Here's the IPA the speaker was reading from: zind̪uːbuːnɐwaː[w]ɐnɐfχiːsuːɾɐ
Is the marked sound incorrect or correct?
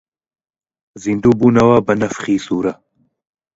incorrect